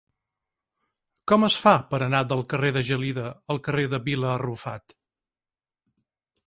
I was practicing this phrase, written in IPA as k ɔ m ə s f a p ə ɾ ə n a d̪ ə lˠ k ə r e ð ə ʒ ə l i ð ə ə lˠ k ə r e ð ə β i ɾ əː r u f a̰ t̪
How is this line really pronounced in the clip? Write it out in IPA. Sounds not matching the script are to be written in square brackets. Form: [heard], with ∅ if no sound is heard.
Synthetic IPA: k ɔ m ə s f a p ə ɾ ə n a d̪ ə lˠ k ə r e ð ə ʒ ə l i ð ə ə lˠ k ə r e ð ə β i [l] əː r u f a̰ t̪